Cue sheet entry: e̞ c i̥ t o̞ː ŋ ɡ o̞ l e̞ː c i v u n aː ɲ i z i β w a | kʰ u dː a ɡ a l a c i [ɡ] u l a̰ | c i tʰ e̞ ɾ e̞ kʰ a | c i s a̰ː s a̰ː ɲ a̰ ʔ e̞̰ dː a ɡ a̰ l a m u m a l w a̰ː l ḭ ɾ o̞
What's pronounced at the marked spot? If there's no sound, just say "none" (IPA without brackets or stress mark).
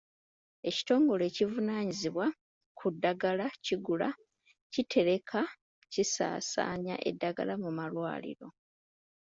ɡ